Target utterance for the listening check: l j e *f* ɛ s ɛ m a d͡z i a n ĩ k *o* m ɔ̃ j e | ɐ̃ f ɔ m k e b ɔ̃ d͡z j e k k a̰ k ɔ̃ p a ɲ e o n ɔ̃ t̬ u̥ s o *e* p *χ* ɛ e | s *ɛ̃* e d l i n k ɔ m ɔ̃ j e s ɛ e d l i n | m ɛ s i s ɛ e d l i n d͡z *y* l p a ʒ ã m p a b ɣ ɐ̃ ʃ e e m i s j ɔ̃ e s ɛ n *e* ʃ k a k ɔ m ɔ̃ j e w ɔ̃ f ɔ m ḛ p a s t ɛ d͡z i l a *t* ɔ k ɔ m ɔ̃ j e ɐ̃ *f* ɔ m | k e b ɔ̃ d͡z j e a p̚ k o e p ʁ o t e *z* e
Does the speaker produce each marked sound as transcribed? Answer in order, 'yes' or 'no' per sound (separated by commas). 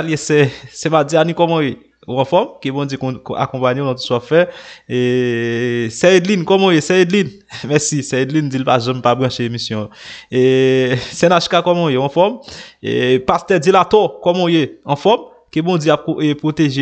no, no, no, no, no, no, no, yes, yes, no